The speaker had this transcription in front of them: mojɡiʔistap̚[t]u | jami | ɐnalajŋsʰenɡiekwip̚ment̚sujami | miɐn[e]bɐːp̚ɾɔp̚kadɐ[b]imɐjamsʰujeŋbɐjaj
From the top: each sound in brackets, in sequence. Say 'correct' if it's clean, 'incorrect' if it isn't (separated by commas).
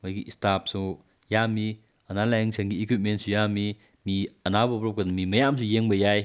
incorrect, incorrect, incorrect